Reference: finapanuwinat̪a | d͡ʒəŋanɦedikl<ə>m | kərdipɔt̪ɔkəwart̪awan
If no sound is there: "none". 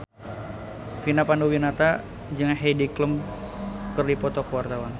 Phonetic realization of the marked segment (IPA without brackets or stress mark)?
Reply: ə